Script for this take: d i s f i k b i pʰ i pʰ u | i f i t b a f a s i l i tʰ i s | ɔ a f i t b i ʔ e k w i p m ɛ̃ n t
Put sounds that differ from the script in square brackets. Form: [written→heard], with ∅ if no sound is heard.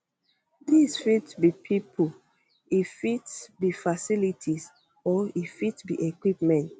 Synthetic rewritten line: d i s f i [k→t] b i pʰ i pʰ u | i f i t b [a→i] f a s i l i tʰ i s | ɔ [a→i] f i t b i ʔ e k w i p m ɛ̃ n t